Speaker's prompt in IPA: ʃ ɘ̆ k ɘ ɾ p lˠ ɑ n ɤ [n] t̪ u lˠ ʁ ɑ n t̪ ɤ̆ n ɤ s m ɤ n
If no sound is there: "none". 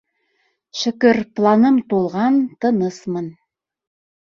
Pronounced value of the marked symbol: m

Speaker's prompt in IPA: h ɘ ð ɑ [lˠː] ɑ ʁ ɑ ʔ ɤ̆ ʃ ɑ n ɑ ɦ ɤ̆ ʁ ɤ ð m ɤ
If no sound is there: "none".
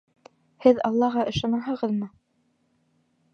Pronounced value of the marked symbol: lˠː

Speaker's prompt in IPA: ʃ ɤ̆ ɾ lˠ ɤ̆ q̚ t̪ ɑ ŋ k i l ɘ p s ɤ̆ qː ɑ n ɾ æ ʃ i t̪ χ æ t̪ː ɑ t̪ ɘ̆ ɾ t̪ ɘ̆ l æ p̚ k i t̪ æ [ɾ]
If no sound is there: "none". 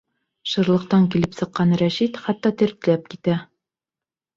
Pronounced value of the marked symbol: none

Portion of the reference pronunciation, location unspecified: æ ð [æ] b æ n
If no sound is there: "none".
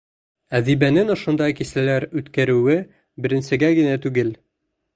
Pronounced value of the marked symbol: i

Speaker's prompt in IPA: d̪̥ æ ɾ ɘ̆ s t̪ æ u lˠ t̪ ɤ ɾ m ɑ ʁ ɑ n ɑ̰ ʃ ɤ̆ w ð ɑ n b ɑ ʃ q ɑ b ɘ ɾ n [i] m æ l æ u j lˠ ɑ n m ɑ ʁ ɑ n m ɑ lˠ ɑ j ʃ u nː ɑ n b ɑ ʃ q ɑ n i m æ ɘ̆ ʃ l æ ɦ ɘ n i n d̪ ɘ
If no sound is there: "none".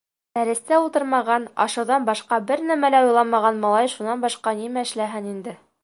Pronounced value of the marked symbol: æ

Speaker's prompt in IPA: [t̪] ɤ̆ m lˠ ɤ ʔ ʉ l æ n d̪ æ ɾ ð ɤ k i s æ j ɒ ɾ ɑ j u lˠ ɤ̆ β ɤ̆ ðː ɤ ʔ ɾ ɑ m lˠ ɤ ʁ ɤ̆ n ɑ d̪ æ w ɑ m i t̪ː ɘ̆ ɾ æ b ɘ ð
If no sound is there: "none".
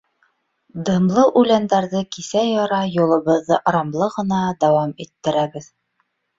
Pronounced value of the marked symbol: d̪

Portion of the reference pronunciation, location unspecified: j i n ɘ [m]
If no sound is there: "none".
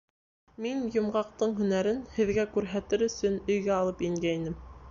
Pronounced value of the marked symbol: m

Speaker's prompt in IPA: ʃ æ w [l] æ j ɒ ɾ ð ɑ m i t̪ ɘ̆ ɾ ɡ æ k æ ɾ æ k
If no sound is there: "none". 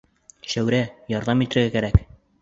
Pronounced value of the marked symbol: ɾ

